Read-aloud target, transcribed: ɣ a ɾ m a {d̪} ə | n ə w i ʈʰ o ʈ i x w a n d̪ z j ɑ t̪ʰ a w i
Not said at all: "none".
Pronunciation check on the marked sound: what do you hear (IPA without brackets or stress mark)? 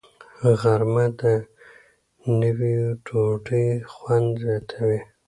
d̪